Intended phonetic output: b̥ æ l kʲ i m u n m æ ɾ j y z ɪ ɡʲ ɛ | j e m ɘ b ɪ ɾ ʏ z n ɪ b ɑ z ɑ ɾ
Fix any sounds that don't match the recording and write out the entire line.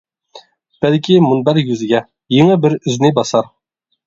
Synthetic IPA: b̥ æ l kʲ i m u n b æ ɾ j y z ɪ ɡʲ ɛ | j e ŋ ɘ b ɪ ɾ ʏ z n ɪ b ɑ s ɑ ɾ